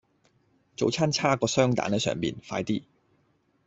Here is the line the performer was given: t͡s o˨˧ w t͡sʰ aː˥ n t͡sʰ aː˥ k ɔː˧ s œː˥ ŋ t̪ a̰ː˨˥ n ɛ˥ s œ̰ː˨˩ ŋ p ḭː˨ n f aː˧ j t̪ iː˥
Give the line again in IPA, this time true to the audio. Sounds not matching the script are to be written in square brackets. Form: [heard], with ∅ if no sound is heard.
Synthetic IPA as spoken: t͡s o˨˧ w t͡sʰ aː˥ n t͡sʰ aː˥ k ɔː˧ s œː˥ ŋ t̪ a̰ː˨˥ n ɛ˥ s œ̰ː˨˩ ŋ p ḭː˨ n f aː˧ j t̪ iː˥